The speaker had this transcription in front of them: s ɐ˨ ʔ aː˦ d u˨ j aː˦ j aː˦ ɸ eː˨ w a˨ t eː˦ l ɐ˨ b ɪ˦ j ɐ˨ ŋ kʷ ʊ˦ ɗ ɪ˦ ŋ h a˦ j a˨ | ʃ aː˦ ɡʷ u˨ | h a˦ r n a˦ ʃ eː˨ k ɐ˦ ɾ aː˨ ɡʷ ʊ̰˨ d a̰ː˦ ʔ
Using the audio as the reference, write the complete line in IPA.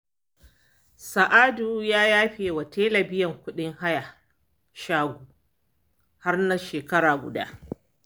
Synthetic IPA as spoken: s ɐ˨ ʔ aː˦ d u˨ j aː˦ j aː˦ ɸ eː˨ w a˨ t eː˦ l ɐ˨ b ɪ˦ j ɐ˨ ŋ kʷ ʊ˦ ɗ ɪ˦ ŋ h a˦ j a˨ | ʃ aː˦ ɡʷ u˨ | h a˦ r n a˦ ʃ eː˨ k ɐ˦ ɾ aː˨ ɡʷ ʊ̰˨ d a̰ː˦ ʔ